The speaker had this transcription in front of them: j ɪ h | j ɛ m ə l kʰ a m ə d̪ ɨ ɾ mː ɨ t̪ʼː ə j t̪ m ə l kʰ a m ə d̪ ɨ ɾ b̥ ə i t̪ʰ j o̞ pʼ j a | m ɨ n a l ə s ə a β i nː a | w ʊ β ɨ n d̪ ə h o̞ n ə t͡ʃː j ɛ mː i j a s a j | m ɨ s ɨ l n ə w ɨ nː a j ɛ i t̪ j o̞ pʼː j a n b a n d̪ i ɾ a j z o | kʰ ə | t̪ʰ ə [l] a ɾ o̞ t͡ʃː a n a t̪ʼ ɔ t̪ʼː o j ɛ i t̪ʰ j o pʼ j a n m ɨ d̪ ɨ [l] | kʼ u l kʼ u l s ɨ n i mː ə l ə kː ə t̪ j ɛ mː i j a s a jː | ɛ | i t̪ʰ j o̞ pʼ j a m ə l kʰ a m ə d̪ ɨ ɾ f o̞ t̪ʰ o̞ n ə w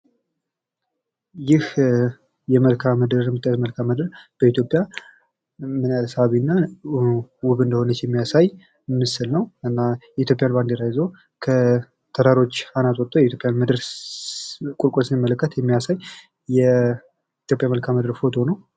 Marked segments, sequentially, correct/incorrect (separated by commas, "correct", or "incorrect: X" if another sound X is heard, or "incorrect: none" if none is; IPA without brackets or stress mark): incorrect: ɾ, incorrect: ɾ